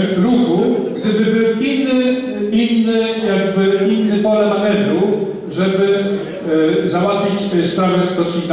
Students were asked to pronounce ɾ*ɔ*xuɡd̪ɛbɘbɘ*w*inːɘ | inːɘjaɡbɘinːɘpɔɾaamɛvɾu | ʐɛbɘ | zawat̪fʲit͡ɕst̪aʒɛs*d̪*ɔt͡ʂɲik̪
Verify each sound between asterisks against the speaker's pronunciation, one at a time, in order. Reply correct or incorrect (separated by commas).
incorrect, correct, incorrect